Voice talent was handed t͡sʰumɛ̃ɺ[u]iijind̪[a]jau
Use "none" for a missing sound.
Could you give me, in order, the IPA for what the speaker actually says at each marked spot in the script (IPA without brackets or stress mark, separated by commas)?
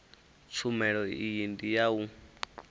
ɔ, i